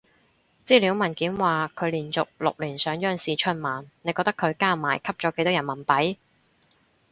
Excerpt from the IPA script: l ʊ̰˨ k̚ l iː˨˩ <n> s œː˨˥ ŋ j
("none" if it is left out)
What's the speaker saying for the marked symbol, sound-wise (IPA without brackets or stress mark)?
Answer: n